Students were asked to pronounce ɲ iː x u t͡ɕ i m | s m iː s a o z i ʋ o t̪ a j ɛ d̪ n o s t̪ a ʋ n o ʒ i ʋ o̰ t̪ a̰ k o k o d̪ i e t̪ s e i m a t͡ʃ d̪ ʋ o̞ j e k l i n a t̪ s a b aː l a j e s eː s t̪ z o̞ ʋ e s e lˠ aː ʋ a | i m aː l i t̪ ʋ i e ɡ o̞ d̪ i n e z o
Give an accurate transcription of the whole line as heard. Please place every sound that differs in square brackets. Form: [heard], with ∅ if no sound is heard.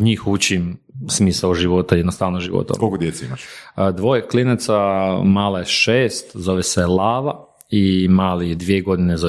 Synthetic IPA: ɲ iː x u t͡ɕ i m | s m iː s a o [ʒ] i ʋ o t̪ a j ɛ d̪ n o s t̪ a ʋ n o ʒ i ʋ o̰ t̪ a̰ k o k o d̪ [j] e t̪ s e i m a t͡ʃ d̪ ʋ o̞ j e k l i n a t̪ s a [m] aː l a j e [ʃ] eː s t̪ z o̞ ʋ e s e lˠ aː ʋ a | i m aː l i [d̪] ʋ i e ɡ o̞ d̪ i n e z o